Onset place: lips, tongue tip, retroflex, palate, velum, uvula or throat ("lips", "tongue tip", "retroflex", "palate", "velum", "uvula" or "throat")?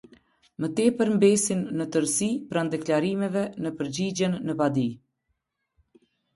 lips